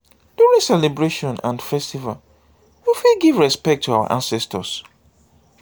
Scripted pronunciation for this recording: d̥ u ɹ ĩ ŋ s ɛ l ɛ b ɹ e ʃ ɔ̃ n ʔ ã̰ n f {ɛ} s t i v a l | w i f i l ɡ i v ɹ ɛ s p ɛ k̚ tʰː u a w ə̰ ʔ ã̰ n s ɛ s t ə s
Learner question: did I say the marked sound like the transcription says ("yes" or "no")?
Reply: yes